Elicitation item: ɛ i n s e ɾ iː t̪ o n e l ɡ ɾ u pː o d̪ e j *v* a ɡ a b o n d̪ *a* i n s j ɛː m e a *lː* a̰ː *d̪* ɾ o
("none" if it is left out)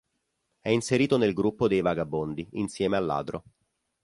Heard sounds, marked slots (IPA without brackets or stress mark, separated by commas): v, i, lː, d̪